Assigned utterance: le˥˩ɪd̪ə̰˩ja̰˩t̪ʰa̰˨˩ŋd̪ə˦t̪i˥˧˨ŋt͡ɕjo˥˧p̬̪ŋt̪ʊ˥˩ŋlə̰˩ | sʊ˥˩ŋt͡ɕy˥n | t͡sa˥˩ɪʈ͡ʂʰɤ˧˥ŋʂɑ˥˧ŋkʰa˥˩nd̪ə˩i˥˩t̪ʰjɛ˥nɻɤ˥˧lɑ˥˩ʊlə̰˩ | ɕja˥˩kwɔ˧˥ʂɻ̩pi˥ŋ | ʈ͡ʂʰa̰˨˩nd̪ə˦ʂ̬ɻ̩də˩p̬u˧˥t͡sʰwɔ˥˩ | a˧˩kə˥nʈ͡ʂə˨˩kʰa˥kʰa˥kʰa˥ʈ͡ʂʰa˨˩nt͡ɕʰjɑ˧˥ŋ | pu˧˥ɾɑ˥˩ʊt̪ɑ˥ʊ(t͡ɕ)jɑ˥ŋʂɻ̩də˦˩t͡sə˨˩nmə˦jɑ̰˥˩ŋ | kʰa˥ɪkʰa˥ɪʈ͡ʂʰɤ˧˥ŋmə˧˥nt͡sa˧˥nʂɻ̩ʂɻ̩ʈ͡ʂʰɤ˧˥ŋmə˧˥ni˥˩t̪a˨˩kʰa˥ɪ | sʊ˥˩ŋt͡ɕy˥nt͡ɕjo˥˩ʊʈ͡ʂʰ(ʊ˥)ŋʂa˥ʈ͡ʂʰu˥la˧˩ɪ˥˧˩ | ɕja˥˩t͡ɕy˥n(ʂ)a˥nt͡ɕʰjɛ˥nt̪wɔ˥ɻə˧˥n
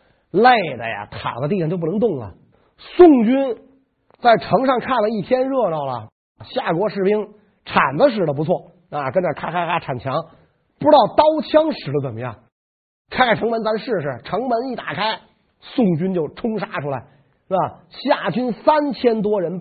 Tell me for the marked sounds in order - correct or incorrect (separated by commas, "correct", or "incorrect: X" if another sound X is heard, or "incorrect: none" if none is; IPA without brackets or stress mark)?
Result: incorrect: t͡ɕʰ, correct, incorrect: s